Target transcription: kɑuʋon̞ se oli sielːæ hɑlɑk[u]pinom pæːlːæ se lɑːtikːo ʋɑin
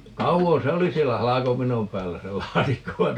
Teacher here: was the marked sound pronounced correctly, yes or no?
no